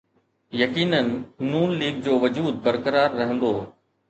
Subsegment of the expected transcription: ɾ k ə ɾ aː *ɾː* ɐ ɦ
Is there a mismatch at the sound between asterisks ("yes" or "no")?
no